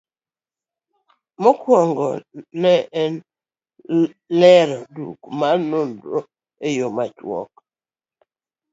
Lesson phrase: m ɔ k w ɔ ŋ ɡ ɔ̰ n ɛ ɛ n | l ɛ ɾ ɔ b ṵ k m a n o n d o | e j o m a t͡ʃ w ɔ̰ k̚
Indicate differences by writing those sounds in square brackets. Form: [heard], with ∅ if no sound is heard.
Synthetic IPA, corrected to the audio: m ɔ k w ɔ ŋ ɡ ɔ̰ n ɛ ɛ n | l ɛ ɾ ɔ [d] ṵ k m a n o n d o | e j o m a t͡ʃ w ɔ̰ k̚

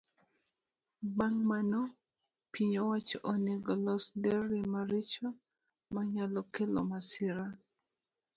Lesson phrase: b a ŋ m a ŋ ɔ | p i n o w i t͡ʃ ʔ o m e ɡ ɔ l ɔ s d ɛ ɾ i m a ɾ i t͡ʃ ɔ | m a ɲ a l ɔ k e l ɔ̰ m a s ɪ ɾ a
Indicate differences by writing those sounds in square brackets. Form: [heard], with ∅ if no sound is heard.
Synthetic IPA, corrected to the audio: b a ŋ m a [n] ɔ | p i [ɲ] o w [a] t͡ʃ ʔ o [n] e ɡ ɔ l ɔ s d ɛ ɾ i m a ɾ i t͡ʃ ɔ | m a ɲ a l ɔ k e l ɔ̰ m a s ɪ ɾ a

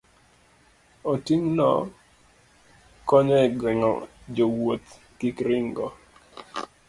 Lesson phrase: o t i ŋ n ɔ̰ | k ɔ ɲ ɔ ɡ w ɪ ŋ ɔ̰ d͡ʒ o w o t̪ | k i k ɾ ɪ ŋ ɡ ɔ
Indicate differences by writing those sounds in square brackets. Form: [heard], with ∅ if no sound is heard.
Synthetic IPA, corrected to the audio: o t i ŋ n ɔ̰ | k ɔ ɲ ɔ ɡ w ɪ ŋ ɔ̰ d͡ʒ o w o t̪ | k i k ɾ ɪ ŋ ɡ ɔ

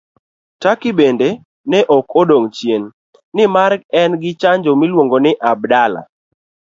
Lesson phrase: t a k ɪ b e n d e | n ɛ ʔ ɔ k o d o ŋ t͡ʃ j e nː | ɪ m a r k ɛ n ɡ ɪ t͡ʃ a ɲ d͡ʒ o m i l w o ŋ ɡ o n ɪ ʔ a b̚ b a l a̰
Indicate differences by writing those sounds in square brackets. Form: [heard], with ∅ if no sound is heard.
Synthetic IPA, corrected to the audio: t a k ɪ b e n d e | n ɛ ʔ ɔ k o d o ŋ t͡ʃ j e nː | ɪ m a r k ɛ n ɡ ɪ t͡ʃ a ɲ d͡ʒ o m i l w o ŋ ɡ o n ɪ ʔ a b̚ [d] a l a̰

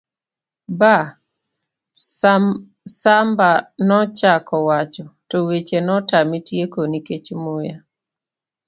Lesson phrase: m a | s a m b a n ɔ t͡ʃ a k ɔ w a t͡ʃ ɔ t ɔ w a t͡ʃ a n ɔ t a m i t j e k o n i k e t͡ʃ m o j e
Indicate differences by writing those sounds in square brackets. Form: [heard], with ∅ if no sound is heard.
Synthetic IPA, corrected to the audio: [b] a | s a m b a n ɔ t͡ʃ a k ɔ w a t͡ʃ ɔ t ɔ w [e] t͡ʃ [e] n ɔ t a m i t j e k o n i k e t͡ʃ m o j [a]

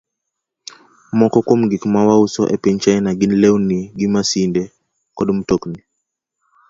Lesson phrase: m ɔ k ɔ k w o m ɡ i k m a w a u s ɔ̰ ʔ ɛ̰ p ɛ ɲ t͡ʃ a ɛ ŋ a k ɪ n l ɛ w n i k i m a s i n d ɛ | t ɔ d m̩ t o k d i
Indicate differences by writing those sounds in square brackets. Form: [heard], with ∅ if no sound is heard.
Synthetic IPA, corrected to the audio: m ɔ k ɔ k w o m ɡ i k m a w a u s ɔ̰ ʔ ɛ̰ p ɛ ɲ t͡ʃ a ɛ [n] a [ɡ] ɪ n l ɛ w n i [ɡ] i m a s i n d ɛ | [k] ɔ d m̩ t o k [n] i

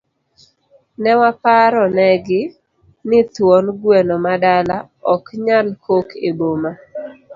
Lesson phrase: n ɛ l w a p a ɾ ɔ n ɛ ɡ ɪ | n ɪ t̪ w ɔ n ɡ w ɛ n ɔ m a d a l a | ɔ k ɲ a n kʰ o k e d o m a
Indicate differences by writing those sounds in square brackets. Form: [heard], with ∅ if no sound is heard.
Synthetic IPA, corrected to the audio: n ɛ [∅] w a p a ɾ ɔ n ɛ ɡ ɪ | n ɪ t̪ w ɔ n ɡ w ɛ n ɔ m a d a l a | ɔ k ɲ a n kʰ o k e [b] o m a

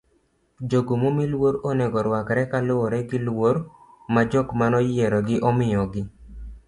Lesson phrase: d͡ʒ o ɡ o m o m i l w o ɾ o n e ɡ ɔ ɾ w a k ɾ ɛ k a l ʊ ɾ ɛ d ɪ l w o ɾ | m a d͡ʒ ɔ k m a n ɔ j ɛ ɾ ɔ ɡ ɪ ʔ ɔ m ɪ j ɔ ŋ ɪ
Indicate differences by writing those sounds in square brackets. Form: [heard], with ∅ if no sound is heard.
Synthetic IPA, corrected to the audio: d͡ʒ o ɡ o m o m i l w o ɾ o n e ɡ ɔ ɾ w a k ɾ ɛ k a l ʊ ɾ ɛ [ɡ] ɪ l w o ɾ | m a d͡ʒ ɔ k m a n ɔ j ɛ ɾ ɔ ɡ ɪ ʔ ɔ m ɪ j ɔ [ɡ] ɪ

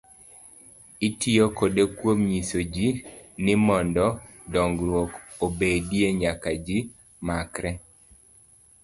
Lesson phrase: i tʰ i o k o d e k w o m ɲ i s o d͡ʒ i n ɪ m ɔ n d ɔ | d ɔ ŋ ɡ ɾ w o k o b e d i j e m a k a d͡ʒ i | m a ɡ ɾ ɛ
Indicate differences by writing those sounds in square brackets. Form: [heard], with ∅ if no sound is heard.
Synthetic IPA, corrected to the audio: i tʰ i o k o d e k w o m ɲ i s o d͡ʒ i n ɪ m ɔ n d ɔ | d ɔ ŋ ɡ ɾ w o k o b e d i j e [ɲ] a k a d͡ʒ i | m a [k] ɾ ɛ

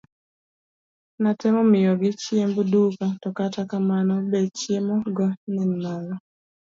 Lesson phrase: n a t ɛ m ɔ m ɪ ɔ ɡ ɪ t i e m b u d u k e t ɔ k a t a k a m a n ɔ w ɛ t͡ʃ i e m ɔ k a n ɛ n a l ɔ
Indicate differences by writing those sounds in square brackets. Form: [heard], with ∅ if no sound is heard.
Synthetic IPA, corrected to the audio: n a t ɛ m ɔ m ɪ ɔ ɡ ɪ [t͡ʃ] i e m b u d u k [a] t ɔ k a t a k a m a n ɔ [b] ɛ t͡ʃ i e m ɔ [ɡ] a n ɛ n a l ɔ

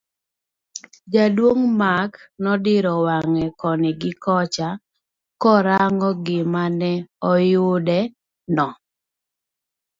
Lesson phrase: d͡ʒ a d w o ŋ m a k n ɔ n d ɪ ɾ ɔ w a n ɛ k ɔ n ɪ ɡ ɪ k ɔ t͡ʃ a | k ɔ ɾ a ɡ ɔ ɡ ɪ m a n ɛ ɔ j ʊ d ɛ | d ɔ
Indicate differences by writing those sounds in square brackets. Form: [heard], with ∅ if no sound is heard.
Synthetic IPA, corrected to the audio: d͡ʒ a d w o ŋ m a k n ɔ [∅] d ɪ ɾ ɔ w a [ŋ] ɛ k ɔ n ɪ ɡ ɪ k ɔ t͡ʃ a | k ɔ ɾ a [ŋ] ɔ ɡ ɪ m a n ɛ ɔ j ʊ d ɛ | [n] ɔ

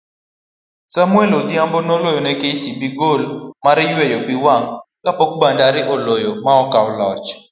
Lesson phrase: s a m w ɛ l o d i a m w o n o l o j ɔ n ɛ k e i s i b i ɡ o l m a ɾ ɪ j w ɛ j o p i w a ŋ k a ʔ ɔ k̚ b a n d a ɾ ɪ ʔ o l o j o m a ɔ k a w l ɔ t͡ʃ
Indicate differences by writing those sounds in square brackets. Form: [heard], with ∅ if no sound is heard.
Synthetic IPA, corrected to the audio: s a m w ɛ l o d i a m [b] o n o l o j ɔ n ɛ k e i s i b i ɡ o l m a ɾ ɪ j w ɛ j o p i w a ŋ k a [p] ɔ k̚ b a n d a ɾ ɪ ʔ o l o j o m a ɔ k a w l ɔ t͡ʃ

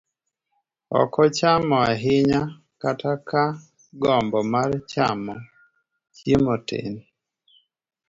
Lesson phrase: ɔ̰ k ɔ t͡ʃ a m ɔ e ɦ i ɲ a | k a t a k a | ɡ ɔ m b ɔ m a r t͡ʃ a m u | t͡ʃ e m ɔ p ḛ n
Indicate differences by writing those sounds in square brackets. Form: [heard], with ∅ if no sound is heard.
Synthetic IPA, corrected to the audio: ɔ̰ k ɔ t͡ʃ a m ɔ [a] ɦ [ɪ] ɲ a | k a t a k a | ɡ ɔ m b ɔ m a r t͡ʃ a m [ɔ] | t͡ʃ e m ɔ [t] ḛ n

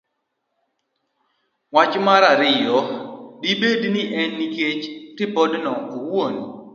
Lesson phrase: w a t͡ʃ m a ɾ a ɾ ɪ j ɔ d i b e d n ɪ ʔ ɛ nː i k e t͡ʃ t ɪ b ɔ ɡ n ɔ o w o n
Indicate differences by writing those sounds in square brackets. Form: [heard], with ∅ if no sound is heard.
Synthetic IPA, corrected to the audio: w a t͡ʃ m a ɾ a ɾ ɪ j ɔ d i b e d n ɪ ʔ ɛ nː i k e t͡ʃ t ɪ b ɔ [d] n ɔ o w o n

